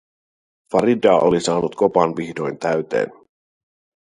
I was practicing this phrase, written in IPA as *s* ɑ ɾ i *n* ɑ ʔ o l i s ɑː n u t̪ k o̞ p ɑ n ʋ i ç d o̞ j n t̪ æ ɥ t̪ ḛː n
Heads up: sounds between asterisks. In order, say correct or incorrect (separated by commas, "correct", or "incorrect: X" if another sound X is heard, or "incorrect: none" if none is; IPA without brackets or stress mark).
incorrect: f, incorrect: d